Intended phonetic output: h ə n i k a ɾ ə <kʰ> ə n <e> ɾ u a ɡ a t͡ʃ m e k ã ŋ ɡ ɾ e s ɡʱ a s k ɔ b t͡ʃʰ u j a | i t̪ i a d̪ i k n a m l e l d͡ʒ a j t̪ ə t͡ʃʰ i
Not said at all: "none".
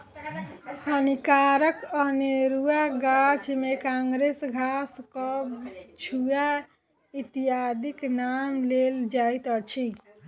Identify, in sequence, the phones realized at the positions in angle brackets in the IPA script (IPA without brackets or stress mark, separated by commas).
k, e